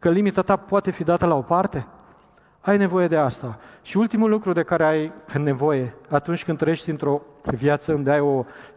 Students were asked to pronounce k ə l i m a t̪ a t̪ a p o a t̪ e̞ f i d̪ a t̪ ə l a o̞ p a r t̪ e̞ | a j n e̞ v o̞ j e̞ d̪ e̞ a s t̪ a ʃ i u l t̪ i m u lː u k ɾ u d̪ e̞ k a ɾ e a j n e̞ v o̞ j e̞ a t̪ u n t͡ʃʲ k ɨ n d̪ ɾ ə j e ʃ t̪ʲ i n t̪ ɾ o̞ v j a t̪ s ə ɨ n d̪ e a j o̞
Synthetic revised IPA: k ə l i m i t̪ a t̪ a p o a t̪ e̞ f i d̪ a t̪ ə l a o̞ p a r t̪ e̞ | a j n e̞ v o̞ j e̞ d̪ e̞ a s t̪ a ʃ i u l t̪ i m u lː u k ɾ u d̪ e̞ k a ɾ e a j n e̞ v o̞ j e̞ a t̪ u n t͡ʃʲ k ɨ n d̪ ɾ ə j e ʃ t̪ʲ i n t̪ ɾ o̞ v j a t̪ s ə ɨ n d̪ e a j o̞